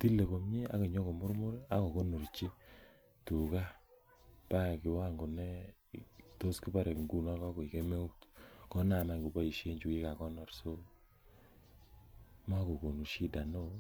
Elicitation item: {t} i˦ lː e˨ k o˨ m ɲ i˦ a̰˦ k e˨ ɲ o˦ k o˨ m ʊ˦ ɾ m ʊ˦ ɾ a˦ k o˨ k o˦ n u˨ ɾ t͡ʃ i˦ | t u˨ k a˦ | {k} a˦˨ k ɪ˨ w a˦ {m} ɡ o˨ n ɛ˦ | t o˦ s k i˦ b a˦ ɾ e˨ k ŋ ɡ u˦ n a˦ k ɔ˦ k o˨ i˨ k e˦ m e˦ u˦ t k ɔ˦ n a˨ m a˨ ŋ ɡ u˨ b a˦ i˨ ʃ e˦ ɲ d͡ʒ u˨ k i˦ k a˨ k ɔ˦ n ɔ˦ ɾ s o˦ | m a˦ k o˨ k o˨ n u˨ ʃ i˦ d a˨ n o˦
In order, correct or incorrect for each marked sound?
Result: correct, incorrect, incorrect

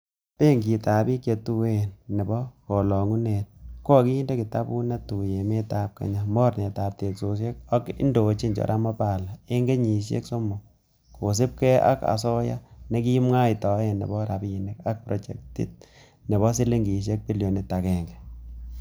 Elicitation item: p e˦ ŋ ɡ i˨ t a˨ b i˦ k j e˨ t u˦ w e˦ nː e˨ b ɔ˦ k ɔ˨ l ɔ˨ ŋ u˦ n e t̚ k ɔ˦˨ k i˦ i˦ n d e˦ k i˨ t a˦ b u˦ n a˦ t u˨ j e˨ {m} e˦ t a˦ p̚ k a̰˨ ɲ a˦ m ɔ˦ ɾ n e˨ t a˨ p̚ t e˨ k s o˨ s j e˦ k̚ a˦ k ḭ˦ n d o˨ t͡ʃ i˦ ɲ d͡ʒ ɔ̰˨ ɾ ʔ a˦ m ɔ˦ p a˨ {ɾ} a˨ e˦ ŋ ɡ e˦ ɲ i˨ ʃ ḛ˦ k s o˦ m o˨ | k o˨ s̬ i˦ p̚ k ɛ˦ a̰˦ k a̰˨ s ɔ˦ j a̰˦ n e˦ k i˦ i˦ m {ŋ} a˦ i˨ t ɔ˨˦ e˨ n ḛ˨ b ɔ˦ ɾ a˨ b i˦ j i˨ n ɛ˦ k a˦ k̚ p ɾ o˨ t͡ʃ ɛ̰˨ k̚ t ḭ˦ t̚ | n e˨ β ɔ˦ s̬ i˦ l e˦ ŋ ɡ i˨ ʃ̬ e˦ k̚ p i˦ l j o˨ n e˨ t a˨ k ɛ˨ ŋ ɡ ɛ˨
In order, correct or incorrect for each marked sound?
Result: correct, incorrect, correct

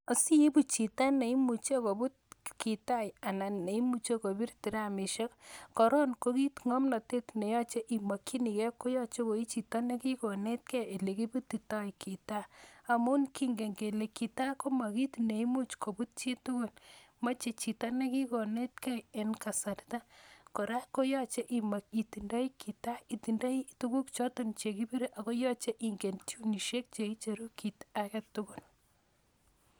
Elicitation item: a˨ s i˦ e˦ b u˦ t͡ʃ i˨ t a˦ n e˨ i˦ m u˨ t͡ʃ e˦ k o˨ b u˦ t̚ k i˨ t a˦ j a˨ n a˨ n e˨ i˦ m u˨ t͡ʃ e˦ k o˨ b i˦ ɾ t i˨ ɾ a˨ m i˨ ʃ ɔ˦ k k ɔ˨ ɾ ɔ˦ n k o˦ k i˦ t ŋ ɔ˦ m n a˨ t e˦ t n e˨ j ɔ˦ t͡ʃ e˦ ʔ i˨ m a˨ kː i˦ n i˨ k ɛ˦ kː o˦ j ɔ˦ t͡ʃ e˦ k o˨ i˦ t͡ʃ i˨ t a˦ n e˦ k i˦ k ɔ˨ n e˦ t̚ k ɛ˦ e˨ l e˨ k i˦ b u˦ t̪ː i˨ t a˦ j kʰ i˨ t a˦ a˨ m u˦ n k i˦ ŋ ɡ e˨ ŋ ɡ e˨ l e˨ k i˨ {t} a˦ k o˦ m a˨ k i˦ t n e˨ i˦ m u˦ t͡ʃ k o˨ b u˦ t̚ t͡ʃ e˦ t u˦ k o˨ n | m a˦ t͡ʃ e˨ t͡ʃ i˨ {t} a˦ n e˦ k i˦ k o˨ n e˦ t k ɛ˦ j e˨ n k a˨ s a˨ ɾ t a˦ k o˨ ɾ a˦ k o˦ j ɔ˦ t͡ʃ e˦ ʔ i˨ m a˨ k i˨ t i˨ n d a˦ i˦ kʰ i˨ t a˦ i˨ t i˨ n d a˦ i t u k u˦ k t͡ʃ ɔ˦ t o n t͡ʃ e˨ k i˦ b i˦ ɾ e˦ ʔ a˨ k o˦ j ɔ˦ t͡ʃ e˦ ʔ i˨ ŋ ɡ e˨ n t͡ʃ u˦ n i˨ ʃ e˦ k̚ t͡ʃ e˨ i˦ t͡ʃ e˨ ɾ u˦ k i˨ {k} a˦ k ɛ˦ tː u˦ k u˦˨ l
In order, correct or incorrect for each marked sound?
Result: correct, correct, incorrect

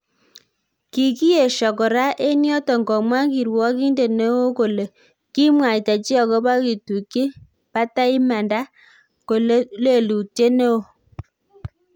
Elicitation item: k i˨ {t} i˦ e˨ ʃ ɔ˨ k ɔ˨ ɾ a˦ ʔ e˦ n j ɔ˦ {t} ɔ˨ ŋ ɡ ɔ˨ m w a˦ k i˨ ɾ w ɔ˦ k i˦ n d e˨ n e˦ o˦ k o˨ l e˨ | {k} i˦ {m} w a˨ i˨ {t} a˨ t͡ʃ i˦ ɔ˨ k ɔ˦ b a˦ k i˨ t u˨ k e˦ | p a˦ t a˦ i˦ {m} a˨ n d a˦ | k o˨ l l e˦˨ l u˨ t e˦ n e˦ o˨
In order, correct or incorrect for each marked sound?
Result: incorrect, correct, correct, correct, correct, correct

